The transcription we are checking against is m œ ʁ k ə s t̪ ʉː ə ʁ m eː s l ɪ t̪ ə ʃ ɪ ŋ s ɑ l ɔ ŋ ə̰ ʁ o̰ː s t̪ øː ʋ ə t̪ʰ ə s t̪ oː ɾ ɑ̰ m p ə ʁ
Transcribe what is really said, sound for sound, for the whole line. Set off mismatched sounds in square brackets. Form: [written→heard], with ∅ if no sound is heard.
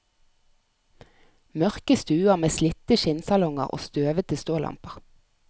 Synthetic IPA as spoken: m œ ʁ k ə s t̪ ʉː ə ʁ m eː s l ɪ t̪ ə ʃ ɪ [ŋ→n] s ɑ l ɔ ŋ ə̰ ʁ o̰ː s t̪ øː ʋ ə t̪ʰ ə s t̪ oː [ɾ→l] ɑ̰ m p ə ʁ